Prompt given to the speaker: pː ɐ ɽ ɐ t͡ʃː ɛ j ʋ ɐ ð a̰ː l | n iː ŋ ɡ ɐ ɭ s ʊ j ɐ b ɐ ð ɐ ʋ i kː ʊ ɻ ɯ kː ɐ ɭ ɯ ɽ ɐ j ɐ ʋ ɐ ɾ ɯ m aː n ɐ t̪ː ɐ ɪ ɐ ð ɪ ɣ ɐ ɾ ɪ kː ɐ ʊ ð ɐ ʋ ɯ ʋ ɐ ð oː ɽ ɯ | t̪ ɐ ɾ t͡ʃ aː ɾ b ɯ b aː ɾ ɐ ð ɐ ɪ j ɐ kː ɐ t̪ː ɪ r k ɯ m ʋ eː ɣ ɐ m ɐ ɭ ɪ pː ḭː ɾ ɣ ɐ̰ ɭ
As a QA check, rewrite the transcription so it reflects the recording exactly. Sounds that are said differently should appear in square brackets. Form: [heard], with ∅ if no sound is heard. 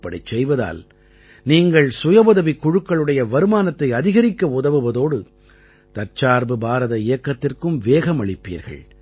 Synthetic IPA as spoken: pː ɐ ɽ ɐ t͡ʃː ɛ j ʋ ɐ ð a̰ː l | n iː ŋ ɡ ɐ ɭ s ʊ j ɐ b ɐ ð ɐ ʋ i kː ʊ ɻ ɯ kː ɐ ɭ ɯ ɽ ɐ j ɐ ʋ ɐ ɾ ɯ m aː n ɐ t̪ː ɐ ɪ ɐ ð ɪ ɣ ɐ ɾ ɪ kː ɐ ʊ ð ɐ ʋ ɯ ʋ ɐ ð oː ɽ ɯ | t̪ ɐ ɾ t͡ʃ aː ɾ b ɯ b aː ɾ ɐ ð ɐ ɪ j ɐ kː ɐ t̪ː ɪ r k ɯ m ʋ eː ɣ ɐ m ɐ ɭ ɪ pː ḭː ɾ ɣ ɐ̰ ɭ